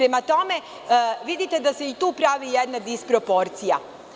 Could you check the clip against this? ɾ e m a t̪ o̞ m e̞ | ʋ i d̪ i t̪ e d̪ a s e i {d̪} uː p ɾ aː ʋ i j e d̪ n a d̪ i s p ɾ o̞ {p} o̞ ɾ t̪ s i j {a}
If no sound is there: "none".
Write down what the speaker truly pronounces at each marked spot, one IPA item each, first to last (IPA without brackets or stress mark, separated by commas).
t̪, p, a